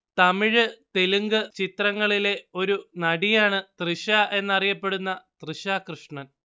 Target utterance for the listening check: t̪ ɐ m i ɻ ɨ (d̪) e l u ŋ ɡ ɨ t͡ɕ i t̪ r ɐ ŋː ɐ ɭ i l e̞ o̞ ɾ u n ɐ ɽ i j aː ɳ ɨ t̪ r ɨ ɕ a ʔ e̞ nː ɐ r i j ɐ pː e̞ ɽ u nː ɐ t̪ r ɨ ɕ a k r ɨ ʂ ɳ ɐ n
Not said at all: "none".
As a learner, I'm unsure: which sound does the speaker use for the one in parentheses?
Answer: t̪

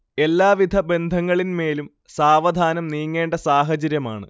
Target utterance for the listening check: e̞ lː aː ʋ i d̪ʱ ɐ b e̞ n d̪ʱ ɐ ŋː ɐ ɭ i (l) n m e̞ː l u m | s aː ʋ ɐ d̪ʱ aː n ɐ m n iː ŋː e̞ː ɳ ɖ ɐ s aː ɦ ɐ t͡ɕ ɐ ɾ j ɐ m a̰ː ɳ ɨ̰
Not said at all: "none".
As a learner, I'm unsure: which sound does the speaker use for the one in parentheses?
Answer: none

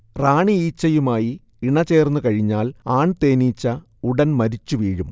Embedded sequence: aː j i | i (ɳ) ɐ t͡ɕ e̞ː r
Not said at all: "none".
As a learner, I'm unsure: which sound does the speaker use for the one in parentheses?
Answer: ɳ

